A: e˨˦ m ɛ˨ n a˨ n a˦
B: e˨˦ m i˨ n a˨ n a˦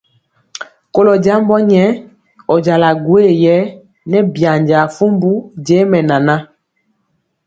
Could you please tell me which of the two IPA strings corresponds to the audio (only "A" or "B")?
A